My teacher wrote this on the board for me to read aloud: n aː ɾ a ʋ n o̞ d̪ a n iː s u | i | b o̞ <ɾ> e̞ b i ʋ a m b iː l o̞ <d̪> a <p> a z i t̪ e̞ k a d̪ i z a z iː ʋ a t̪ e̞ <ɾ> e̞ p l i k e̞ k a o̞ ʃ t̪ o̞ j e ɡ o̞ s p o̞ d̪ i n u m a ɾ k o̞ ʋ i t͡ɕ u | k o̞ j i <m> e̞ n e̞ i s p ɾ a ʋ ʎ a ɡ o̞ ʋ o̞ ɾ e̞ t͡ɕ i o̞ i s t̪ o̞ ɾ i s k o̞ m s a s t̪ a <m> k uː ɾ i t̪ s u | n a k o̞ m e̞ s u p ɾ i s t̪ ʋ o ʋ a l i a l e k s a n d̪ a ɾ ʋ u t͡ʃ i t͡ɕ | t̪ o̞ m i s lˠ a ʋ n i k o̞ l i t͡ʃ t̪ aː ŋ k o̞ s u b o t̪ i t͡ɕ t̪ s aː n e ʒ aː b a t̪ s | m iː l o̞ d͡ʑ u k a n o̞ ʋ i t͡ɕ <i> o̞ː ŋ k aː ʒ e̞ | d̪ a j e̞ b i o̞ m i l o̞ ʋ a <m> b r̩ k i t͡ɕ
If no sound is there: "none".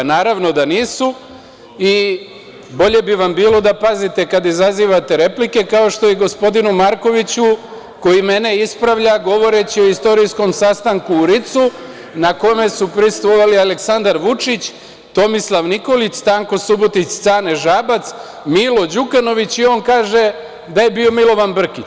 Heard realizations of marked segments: ʎ, d̪, p, ɾ, m, ŋ, i, n

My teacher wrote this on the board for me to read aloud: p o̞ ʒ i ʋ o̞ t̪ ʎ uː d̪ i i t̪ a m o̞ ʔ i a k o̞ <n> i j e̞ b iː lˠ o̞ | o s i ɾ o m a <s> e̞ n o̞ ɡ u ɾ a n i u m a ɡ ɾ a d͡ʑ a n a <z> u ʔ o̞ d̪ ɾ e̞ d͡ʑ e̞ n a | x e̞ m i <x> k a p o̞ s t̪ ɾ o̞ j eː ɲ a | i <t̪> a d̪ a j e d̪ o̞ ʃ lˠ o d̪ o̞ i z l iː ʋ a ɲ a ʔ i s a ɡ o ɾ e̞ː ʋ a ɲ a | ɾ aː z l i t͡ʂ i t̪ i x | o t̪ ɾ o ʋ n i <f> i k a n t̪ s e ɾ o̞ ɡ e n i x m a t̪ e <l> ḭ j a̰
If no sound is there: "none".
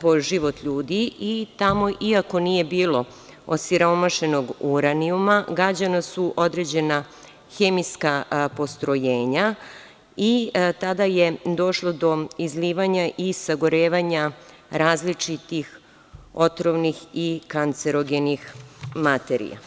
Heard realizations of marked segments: n, ʃ, s, s, t̪, x, ɾ

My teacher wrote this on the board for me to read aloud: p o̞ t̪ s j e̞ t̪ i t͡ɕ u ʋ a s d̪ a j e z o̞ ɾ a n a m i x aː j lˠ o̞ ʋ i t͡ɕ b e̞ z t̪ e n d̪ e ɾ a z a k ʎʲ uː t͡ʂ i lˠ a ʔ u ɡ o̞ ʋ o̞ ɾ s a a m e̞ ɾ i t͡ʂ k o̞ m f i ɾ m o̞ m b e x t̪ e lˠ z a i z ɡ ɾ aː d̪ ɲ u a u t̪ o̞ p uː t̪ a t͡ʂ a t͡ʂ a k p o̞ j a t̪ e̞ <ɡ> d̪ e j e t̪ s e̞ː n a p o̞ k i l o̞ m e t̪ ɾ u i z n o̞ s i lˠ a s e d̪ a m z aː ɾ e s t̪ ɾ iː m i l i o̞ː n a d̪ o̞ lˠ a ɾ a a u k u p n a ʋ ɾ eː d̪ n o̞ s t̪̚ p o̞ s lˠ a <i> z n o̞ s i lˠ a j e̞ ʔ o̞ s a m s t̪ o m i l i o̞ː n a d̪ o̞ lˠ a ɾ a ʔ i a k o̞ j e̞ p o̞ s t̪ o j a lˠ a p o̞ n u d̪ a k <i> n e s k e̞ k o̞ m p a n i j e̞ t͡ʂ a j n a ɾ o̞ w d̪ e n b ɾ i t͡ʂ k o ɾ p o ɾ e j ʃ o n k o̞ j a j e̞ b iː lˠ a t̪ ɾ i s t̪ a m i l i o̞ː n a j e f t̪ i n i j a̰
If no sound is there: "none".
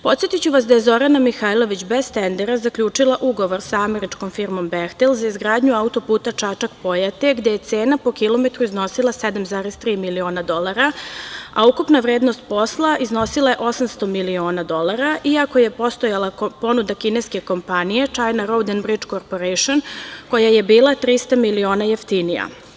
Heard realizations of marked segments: ɡ, i, i

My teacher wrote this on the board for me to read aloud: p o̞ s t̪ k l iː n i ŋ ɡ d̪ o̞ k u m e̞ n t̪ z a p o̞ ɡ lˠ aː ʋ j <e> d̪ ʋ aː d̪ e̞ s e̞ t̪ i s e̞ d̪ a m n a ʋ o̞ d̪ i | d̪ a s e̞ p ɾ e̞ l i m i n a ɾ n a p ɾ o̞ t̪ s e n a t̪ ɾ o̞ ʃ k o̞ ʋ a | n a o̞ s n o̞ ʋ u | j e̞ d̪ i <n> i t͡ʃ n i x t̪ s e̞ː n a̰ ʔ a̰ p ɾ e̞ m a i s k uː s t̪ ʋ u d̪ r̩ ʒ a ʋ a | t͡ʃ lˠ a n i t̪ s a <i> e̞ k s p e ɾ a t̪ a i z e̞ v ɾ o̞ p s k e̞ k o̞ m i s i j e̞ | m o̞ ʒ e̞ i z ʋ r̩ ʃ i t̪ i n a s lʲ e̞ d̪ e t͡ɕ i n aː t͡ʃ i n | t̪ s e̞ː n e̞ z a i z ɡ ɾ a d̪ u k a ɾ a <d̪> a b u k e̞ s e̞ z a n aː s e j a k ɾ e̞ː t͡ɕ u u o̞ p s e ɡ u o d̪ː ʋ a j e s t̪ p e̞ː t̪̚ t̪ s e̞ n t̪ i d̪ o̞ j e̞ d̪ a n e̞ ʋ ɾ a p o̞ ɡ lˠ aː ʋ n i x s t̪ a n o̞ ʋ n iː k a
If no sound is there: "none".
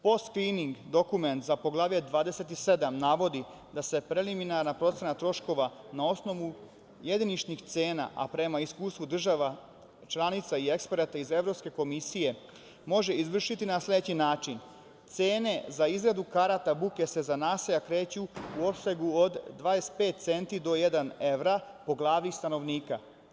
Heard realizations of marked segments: e, n, i, t̪

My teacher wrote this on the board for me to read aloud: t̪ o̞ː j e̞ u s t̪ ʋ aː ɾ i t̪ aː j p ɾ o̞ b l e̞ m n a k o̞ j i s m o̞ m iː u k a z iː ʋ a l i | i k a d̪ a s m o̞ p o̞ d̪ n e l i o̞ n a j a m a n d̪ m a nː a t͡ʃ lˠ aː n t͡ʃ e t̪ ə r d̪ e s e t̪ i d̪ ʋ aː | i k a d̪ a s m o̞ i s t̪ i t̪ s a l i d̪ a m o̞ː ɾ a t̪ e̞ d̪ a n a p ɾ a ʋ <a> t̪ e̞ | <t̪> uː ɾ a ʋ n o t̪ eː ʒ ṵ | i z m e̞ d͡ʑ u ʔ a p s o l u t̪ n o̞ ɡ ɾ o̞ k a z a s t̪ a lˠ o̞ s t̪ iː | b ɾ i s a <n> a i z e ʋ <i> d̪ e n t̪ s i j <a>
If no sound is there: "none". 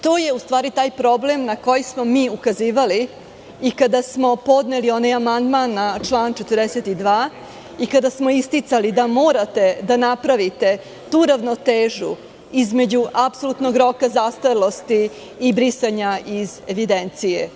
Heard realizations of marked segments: i, t̪, ɲ, i, e

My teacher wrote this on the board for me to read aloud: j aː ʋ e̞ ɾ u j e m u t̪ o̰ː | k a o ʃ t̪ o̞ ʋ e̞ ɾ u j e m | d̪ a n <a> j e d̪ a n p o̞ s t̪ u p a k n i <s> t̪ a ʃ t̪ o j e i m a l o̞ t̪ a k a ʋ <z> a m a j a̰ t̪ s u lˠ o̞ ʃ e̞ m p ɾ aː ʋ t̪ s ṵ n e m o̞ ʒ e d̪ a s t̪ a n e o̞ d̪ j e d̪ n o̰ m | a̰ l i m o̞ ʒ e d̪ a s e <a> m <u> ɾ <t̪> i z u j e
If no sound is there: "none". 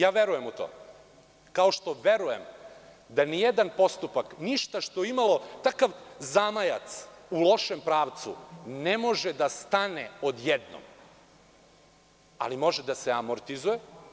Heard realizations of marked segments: i, ʃ, z, a, o, t̪

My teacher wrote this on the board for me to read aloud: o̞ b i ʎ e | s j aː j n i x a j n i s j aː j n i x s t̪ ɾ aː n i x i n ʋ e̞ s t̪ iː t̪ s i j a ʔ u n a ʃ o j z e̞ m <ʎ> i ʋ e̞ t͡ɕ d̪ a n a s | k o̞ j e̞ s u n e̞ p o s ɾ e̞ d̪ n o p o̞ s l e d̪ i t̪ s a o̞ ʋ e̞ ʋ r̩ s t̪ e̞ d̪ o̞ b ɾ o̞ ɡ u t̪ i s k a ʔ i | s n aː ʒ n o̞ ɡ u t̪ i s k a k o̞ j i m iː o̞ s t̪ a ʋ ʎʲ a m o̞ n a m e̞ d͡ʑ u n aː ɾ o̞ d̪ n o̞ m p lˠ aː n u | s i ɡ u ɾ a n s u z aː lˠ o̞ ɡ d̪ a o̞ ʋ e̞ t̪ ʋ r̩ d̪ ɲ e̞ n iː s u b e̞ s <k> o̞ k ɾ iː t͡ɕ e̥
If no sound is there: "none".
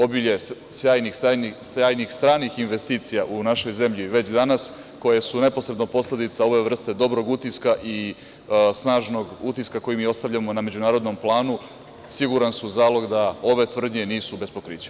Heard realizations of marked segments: ʎ, p

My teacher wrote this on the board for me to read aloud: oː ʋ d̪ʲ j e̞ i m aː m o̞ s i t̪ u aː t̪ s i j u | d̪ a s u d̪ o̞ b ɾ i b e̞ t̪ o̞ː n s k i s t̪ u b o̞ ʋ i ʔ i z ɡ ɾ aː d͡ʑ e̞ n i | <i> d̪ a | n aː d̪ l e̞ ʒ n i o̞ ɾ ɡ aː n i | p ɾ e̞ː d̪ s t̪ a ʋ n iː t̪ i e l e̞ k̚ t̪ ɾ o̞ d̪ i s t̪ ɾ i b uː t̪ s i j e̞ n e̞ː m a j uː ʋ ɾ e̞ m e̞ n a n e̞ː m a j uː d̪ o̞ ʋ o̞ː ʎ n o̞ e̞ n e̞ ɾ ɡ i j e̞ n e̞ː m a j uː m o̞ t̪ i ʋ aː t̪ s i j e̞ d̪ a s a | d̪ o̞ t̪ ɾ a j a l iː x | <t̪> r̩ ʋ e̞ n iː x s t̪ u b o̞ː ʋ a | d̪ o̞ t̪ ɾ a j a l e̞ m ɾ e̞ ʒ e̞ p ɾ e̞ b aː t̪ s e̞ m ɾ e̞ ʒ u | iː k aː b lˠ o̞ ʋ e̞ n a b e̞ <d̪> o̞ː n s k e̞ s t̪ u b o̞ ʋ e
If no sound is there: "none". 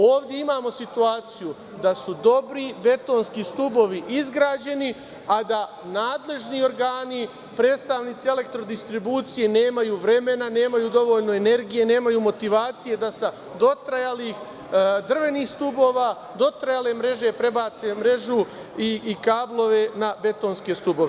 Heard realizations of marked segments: a, d̪, t̪

